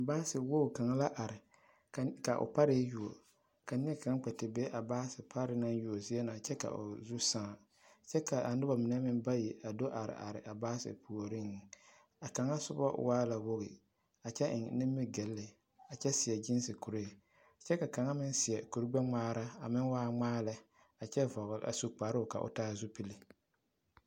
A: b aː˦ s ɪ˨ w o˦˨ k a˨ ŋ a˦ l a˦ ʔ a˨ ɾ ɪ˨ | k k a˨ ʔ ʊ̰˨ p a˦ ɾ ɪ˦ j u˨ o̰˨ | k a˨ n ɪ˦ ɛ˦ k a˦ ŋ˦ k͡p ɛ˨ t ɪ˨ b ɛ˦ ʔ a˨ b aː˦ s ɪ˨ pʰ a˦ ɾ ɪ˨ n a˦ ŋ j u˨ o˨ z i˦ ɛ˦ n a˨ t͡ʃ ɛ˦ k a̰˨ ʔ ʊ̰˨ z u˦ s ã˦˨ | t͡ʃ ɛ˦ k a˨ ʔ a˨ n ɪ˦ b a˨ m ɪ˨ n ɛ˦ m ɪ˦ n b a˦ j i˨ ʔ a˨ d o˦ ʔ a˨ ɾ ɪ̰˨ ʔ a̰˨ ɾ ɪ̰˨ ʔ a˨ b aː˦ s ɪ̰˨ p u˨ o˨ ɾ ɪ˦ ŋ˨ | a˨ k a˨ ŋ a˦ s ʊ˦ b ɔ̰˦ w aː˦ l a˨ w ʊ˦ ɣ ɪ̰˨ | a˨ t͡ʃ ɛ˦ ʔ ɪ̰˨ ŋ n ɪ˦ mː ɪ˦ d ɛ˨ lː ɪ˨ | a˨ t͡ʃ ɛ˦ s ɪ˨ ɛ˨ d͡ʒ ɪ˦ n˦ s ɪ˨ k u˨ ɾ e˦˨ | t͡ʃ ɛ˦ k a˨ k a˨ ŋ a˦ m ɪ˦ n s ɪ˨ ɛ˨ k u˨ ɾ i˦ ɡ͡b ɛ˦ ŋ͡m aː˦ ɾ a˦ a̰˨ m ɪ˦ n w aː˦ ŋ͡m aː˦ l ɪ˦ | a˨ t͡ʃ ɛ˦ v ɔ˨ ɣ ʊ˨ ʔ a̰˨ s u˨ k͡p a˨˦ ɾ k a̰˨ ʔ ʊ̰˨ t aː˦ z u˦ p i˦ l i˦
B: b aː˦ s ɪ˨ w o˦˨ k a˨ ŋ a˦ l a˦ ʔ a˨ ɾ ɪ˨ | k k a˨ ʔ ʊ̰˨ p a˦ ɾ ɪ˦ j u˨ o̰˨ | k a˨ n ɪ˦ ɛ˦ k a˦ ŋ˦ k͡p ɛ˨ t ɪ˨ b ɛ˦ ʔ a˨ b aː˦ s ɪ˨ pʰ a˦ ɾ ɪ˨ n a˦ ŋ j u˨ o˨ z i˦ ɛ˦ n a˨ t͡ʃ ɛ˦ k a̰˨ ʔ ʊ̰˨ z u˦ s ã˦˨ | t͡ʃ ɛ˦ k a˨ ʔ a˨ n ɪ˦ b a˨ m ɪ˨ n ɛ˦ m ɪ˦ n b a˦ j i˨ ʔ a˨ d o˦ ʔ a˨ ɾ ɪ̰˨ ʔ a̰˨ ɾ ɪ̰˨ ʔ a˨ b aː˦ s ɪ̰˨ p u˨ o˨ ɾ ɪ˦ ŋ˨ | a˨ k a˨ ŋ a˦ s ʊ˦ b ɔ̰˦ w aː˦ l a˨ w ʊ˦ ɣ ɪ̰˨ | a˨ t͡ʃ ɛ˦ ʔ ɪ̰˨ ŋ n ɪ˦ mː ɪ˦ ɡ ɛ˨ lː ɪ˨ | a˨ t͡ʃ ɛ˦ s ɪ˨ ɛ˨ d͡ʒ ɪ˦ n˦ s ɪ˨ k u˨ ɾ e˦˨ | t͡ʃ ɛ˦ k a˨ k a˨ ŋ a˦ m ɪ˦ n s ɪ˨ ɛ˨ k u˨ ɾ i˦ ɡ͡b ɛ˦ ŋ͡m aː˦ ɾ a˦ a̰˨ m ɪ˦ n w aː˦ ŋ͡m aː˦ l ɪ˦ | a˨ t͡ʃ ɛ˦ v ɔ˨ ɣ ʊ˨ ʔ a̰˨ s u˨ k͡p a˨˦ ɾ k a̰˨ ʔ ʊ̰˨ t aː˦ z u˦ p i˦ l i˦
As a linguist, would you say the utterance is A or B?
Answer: B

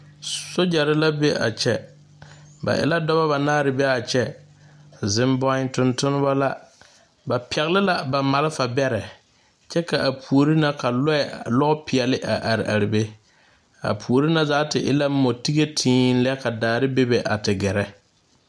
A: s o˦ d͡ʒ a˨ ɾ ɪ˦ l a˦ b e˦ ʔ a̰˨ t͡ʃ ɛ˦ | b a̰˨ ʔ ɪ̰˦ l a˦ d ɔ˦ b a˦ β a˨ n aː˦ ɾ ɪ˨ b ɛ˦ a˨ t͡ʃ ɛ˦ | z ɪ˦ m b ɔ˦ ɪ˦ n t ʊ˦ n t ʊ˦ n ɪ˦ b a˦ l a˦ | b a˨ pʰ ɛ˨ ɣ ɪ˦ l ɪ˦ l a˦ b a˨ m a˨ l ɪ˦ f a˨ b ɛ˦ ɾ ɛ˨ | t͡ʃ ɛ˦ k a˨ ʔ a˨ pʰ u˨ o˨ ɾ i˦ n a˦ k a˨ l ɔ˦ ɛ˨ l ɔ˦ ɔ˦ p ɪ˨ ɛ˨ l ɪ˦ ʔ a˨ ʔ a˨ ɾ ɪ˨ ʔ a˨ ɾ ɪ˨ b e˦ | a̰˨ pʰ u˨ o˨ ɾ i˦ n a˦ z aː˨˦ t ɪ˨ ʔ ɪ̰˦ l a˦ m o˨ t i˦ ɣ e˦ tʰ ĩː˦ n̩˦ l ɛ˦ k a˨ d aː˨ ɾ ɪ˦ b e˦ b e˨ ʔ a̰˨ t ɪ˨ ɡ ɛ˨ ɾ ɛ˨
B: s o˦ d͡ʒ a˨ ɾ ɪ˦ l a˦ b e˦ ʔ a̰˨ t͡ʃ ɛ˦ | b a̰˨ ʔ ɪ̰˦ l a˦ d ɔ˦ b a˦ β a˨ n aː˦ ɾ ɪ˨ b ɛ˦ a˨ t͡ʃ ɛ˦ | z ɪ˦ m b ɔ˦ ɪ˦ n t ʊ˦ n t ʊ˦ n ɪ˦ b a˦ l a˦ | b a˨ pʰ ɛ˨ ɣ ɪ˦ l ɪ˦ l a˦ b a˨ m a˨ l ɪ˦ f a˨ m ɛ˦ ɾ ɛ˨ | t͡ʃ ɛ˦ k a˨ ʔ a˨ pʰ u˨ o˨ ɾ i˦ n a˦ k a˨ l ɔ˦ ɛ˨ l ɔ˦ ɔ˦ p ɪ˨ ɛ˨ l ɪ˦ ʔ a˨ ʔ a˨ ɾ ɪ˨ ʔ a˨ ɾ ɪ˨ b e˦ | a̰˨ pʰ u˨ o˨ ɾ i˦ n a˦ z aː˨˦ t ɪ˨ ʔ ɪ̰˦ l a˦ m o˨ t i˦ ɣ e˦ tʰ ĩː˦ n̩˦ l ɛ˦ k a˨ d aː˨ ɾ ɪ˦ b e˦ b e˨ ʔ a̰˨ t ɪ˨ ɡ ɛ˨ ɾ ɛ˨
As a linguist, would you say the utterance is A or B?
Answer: A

